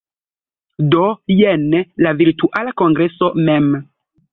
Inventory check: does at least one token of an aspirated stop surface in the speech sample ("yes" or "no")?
no